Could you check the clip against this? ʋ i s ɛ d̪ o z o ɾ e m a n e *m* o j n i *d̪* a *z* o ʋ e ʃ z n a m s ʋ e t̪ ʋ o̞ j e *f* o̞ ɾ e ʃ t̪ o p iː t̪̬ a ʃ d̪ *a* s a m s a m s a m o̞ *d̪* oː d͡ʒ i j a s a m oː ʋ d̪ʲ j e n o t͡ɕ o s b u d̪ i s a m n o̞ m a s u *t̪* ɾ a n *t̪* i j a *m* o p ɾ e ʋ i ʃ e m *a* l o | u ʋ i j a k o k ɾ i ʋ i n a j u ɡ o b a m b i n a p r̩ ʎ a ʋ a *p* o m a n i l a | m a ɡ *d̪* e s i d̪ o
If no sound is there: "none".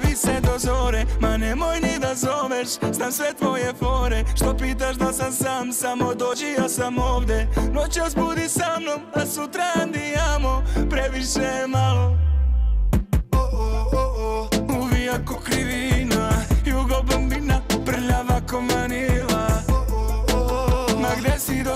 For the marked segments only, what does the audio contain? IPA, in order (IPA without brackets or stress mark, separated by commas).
m, d̪, z, f, a, d̪, t̪, d̪, m, a, k, d̪